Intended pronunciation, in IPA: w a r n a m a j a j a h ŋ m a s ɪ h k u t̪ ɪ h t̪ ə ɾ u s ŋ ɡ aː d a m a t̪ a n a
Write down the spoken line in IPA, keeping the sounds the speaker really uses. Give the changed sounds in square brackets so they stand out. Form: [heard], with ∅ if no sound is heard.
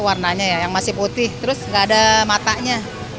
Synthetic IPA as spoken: w a r n a [ɲ] a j a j a [∅] ŋ m a s ɪ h [p] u t̪ ɪ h t̪ ə ɾ [ʊ] s ŋ ɡ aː d a m a t̪ a [ɲ] a